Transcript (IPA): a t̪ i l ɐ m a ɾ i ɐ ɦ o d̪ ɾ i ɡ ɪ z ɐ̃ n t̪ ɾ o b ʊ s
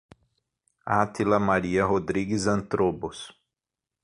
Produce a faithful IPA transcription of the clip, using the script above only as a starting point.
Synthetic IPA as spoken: a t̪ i l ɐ m a ɾ i ɐ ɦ o d̪ ɾ i ɡ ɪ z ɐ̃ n t̪ ɾ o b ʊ s